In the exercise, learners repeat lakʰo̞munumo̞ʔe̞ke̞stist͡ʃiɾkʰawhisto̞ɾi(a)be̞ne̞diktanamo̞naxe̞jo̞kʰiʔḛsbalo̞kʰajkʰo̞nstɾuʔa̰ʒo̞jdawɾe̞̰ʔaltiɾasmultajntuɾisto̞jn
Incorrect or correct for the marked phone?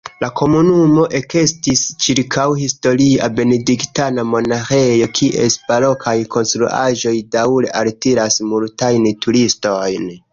correct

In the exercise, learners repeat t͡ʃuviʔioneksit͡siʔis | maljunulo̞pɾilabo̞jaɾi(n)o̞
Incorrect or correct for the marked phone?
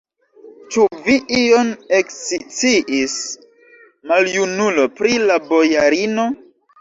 correct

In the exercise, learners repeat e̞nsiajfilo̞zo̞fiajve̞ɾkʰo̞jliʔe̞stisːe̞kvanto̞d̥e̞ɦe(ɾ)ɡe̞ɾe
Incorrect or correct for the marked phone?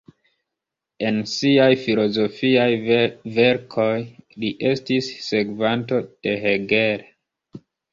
incorrect: none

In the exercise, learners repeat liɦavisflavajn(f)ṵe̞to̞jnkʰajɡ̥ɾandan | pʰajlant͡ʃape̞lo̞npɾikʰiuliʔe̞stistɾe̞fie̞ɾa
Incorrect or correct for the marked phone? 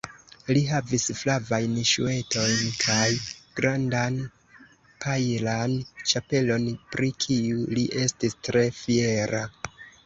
incorrect: ʃ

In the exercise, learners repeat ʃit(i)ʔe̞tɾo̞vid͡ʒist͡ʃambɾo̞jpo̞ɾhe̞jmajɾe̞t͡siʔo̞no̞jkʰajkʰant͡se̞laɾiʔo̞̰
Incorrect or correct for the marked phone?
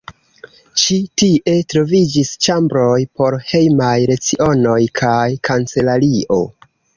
correct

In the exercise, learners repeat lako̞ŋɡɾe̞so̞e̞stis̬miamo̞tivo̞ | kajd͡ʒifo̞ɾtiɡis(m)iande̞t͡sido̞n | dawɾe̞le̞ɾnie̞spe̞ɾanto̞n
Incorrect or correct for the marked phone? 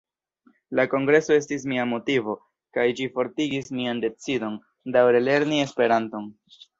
correct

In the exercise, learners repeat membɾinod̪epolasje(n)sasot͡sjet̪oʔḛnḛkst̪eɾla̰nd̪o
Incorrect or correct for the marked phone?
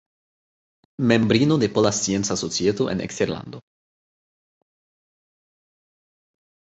correct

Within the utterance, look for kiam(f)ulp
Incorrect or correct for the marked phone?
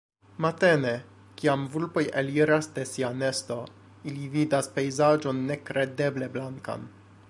incorrect: v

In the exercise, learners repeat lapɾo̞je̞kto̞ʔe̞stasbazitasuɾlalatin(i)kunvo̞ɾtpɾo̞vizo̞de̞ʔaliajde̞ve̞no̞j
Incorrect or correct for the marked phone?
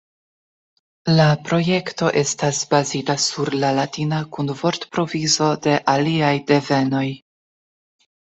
incorrect: a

